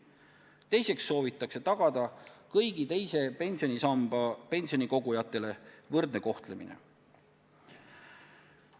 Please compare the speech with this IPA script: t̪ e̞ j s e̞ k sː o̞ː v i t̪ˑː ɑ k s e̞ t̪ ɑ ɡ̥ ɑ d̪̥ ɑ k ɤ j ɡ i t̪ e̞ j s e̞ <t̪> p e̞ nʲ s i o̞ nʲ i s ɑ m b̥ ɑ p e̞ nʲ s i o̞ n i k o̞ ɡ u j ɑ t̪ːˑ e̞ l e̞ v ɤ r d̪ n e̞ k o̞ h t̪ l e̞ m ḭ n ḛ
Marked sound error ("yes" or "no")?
yes